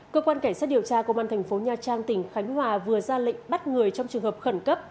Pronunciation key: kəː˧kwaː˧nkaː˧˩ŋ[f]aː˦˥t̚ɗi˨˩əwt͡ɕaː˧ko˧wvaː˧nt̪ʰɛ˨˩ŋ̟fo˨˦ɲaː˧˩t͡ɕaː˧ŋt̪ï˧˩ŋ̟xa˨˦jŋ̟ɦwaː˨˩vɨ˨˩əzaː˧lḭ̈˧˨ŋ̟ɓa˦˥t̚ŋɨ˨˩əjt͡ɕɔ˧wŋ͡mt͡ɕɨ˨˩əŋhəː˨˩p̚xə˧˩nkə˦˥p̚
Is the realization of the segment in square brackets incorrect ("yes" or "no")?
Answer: yes